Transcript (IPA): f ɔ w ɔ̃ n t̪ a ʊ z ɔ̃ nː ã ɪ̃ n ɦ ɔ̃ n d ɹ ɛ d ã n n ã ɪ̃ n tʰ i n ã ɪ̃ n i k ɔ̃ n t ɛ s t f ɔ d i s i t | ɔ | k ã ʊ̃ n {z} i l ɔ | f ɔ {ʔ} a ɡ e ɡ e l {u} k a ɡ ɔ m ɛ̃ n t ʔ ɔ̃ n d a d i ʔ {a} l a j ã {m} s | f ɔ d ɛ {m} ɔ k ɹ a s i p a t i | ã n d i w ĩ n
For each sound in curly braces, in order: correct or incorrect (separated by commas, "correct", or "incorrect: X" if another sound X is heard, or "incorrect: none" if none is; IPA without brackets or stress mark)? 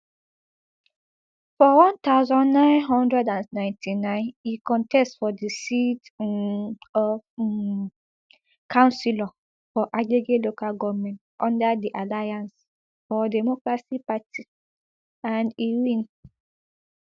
incorrect: s, correct, incorrect: o, correct, incorrect: n, correct